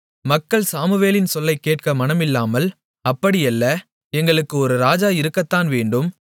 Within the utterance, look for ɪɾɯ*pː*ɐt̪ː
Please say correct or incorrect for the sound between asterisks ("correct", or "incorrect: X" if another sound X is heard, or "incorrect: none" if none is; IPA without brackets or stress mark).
incorrect: kː